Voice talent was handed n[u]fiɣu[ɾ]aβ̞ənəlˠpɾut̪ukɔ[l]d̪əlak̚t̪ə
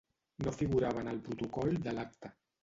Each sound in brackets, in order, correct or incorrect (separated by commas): incorrect, correct, correct